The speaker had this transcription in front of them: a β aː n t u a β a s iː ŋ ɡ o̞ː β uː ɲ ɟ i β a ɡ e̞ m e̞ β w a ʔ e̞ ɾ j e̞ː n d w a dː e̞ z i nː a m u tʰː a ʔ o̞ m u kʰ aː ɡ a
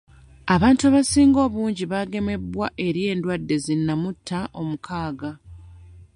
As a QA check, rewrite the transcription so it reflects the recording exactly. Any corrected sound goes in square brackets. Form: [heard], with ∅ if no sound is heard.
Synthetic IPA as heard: a β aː n t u a β a s iː ŋ ɡ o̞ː β uː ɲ ɟ i β a ɡ e̞ m e̞ [b] w a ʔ e̞ ɾ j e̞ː n d w a dː e̞ z i nː a m u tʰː a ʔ o̞ m u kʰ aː ɡ a